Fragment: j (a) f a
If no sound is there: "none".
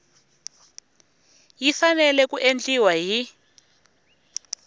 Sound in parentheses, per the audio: i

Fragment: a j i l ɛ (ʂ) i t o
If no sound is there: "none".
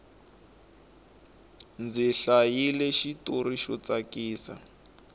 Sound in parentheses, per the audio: ʃ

